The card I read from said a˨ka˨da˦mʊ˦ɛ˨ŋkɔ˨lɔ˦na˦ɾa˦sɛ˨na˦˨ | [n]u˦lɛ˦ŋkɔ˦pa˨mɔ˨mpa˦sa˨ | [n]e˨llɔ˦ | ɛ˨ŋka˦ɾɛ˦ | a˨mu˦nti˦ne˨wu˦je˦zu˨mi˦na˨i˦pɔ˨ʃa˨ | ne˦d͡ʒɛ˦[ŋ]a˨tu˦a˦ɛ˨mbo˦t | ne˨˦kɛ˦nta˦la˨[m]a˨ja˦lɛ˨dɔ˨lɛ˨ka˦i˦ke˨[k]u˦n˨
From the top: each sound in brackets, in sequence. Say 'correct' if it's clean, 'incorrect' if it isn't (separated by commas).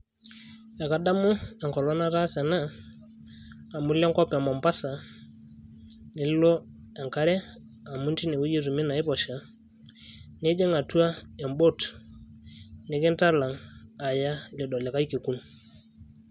incorrect, correct, correct, incorrect, correct